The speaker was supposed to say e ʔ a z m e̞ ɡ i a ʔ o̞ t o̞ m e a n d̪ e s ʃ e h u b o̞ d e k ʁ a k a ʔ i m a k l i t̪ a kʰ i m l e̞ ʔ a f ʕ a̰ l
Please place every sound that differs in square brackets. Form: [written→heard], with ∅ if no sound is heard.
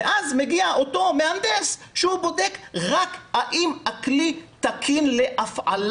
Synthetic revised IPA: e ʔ a z m e̞ ɡ i a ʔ o̞ t o̞ m e a n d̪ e s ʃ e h u b o̞ d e k ʁ a k a ʔ i m a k l i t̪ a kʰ i [m→n] l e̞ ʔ a f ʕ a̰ l